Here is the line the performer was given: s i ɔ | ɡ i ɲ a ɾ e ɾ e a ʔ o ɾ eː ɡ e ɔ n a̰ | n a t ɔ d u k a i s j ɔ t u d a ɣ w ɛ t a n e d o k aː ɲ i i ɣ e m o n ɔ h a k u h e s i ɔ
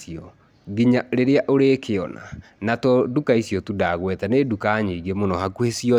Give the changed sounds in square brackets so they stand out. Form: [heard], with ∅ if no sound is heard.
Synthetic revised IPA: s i ɔ | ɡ i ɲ a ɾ e ɾ e a ʔ o ɾ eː [k] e ɔ n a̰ | n a t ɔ d u k a i s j ɔ t u d a ɣ w ɛ t a n e d [u] k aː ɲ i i ɣ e m o n ɔ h a k u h e s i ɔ